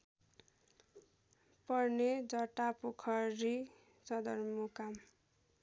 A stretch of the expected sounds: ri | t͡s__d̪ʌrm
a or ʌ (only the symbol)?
ʌ